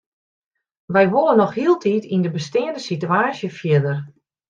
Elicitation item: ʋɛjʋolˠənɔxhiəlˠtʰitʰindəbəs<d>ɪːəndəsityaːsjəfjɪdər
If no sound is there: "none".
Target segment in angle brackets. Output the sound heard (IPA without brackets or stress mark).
t